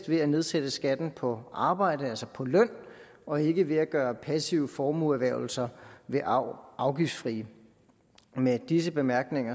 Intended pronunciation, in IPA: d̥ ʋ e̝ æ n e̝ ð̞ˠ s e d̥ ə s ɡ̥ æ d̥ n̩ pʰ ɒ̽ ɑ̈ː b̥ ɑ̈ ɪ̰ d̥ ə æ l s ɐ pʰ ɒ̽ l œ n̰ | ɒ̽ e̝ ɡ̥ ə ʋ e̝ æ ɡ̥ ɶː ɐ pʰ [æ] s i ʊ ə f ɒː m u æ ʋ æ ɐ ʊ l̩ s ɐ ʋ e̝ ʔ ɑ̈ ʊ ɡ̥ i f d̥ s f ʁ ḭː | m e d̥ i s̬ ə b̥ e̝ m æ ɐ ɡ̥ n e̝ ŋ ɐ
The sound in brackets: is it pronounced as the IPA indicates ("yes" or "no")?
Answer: yes